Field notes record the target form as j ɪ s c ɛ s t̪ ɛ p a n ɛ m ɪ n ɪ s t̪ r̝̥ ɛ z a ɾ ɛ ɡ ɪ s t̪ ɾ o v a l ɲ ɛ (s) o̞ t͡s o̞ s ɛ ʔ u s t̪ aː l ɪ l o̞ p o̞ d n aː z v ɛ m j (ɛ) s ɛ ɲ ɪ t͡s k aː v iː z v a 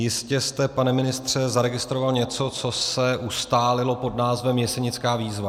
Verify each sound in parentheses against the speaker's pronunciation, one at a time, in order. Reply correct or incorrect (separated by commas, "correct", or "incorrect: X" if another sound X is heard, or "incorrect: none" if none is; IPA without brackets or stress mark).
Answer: incorrect: t͡s, correct